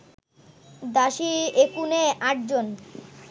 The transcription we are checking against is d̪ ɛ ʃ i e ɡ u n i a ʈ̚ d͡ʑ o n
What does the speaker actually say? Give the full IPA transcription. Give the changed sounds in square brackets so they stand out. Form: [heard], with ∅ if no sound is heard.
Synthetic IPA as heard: d̪ [a] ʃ i e [k] u n [e] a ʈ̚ d͡ʑ o n